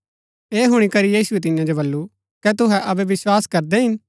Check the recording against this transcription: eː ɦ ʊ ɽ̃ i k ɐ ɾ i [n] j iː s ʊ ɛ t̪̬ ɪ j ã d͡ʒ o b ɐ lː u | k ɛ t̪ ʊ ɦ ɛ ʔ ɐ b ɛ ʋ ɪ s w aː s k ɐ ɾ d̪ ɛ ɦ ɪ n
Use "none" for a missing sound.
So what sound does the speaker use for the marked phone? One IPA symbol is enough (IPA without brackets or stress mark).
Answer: none